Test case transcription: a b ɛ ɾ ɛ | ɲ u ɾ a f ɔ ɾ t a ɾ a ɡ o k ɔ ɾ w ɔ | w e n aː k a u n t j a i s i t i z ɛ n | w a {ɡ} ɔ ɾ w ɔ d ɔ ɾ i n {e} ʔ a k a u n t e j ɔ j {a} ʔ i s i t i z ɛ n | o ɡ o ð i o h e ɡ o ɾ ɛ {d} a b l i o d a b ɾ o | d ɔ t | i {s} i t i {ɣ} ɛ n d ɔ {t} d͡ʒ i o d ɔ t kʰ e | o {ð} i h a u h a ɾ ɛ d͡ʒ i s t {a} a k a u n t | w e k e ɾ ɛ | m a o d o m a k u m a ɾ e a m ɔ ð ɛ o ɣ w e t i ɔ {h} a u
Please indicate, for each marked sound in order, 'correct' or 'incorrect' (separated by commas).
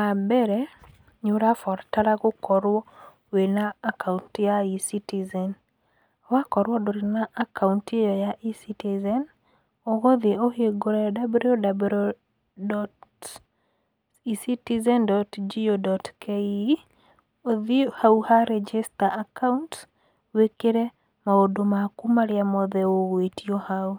incorrect, incorrect, correct, correct, correct, incorrect, correct, correct, correct, correct